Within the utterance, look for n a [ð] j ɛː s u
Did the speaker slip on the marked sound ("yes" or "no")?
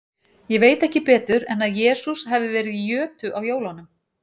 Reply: no